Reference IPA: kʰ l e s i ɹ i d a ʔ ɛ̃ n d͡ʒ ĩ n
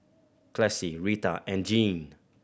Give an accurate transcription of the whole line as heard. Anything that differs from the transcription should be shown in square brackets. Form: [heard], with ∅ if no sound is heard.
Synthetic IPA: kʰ l [ɛ] s i ɹ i [t] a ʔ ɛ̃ n d͡ʒ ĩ n